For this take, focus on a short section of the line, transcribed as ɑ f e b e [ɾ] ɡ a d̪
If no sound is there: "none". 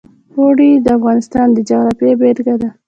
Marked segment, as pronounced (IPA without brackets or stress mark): ɾ